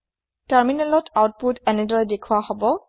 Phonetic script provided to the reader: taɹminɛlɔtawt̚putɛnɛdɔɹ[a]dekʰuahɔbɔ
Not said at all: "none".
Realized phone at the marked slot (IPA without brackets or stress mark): ɛ